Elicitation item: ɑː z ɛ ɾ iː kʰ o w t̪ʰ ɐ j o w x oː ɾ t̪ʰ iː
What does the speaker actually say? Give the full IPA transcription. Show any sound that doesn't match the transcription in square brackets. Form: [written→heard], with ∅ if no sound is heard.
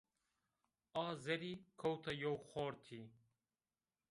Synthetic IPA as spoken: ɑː z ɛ ɾ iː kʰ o w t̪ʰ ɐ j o w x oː ɾ t̪ʰ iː